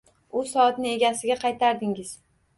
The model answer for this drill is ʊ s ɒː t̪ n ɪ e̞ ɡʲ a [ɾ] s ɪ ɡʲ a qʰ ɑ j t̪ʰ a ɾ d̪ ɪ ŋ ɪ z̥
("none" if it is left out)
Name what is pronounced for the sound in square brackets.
none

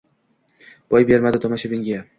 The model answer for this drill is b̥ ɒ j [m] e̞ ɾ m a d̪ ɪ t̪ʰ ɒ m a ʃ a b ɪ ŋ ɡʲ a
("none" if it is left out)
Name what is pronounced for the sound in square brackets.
b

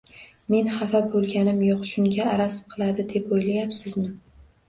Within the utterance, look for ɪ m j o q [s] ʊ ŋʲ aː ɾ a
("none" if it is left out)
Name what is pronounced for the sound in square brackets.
ʃ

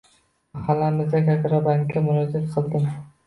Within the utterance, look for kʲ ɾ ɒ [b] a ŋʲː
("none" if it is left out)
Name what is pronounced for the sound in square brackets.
b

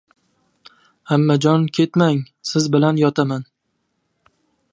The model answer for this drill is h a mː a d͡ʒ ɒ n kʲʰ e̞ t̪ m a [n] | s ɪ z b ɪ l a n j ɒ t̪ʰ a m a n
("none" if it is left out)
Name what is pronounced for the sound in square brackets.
ŋ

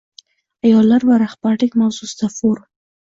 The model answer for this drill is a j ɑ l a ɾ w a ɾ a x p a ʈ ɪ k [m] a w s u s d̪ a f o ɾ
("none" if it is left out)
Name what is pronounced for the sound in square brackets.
m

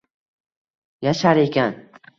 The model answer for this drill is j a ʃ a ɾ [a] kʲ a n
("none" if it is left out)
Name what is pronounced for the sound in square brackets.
e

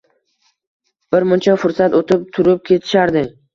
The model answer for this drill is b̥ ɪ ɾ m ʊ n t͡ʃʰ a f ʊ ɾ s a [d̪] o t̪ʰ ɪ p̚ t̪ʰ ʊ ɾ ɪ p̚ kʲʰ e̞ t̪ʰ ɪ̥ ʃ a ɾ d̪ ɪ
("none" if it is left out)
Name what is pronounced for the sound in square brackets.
t̪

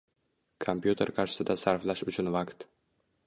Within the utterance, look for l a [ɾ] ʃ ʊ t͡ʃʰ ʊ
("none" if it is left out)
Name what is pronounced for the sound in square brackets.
none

